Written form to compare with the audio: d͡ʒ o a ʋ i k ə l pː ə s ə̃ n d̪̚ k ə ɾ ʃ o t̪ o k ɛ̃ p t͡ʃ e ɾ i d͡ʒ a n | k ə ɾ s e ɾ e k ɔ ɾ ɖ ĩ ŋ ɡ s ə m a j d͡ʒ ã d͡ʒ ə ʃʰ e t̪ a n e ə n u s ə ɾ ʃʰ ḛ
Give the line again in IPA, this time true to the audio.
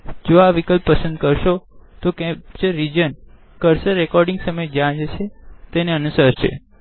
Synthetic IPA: d͡ʒ o a ʋ i k ə l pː ə s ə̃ n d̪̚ k ə ɾ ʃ o t̪ o k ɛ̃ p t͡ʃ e ɾ i d͡ʒ ə n | k ə ɾ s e ɾ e k ɔ ɾ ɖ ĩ ŋ ɡ s ə m ə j d͡ʒ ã d͡ʒ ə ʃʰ e t̪ e n e ə n u s ə ɾ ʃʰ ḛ